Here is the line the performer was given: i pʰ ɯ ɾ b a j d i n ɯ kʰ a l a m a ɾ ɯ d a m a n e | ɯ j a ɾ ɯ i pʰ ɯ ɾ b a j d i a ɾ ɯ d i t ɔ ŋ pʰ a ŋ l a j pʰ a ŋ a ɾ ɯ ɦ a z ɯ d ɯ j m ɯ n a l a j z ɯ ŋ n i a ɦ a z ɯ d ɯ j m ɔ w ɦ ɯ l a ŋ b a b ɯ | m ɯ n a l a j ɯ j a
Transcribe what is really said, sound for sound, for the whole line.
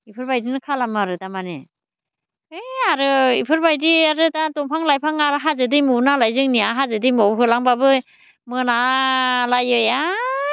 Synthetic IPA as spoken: i pʰ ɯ ɾ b a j d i n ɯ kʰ a l a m a ɾ ɯ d a m a n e | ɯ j a ɾ ɯ i pʰ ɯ ɾ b a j d i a ɾ ɯ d a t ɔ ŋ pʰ a ŋ l a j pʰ a ŋ a ɾ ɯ ɦ a z ɯ d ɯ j m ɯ n a l a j z ɯ ŋ n i a ɦ a z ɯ d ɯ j m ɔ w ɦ ɯ l a ŋ b a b ɯ | m ɯ n a l a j ɯ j a